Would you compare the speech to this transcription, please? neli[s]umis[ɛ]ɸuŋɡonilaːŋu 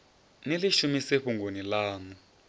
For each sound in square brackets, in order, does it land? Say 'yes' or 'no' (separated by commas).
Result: no, no